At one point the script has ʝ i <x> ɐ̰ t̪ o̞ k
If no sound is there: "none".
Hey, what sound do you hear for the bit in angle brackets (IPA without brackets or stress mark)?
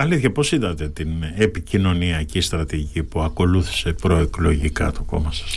k